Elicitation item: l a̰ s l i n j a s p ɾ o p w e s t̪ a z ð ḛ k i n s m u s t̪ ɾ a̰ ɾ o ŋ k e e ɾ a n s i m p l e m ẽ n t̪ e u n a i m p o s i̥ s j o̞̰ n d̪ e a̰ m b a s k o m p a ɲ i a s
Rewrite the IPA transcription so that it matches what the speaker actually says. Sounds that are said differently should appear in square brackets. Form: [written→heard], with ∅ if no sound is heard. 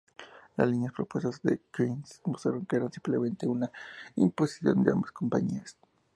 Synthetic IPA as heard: l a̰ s l i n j a s p ɾ o p w e s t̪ a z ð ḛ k i n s m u s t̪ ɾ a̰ ɾ o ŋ k e e ɾ a n s i m p l e m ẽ n t̪ e u n a i m p o s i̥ s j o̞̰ n d̪ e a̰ m b a s k o m p a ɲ i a s